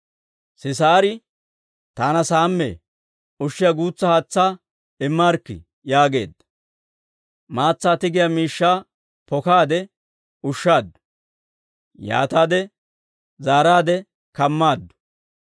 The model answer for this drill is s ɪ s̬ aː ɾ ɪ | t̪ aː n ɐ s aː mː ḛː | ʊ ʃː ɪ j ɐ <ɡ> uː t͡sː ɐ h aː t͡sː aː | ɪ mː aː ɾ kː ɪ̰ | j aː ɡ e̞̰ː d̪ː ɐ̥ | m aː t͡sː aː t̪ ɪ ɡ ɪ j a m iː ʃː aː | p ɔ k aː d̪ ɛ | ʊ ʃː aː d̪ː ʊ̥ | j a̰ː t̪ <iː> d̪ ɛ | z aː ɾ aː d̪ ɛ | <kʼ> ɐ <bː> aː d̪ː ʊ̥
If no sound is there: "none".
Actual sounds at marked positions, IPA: ɡ, aː, k, mː

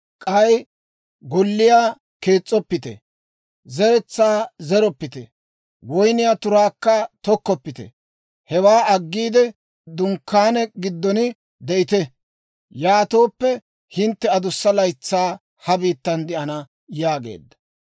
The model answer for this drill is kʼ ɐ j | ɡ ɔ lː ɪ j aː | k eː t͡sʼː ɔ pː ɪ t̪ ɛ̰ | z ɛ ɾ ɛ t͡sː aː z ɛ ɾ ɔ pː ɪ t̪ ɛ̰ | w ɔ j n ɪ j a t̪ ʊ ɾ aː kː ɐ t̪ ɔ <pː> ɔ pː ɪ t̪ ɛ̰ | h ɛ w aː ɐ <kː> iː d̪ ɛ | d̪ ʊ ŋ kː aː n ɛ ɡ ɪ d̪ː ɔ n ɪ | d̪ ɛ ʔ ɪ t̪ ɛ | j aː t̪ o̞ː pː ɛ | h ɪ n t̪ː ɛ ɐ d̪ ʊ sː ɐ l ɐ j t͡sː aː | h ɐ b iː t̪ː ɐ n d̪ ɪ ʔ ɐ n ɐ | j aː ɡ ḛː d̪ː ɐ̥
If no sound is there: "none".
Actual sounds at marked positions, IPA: kː, ɡː

